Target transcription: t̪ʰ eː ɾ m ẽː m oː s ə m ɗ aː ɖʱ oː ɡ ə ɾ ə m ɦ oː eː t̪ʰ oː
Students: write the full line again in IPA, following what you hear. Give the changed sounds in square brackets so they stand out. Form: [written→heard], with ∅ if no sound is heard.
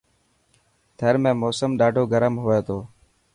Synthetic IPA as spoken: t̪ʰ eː ɾ m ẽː m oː s ə m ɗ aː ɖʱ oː ɡ ə ɾ ə m ɦ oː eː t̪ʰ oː